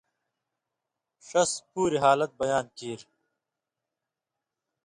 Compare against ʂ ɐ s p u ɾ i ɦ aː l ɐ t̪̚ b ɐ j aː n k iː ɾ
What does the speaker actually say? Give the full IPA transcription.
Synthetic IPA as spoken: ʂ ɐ s p uː ɾ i ɦ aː l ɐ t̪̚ b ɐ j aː n k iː ɾ